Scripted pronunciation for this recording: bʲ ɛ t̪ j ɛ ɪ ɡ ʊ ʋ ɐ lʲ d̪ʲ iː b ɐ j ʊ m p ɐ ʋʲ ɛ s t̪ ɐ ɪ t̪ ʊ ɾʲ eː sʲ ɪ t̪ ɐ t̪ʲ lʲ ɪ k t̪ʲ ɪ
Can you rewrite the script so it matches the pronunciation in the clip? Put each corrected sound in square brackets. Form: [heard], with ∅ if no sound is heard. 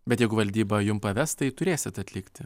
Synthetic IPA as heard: bʲ ɛ t̪ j ɛ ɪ ɡ ʊ ʋ ɐ lʲ d̪ʲ iː b ɐ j ʊ m p ɐ ʋʲ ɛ s t̪ ɐ ɪ t̪ ʊ ɾʲ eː sʲ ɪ t̪ ɐ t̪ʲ lʲ ɪ k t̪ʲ ɪ